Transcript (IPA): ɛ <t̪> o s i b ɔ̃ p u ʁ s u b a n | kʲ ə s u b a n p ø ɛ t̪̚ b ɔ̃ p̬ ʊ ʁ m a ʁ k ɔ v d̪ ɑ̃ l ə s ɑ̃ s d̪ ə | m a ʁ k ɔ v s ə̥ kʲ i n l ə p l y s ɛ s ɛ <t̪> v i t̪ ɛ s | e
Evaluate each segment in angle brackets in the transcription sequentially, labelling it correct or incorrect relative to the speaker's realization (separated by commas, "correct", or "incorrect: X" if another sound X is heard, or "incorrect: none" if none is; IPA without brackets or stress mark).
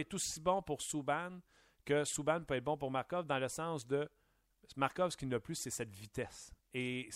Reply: correct, correct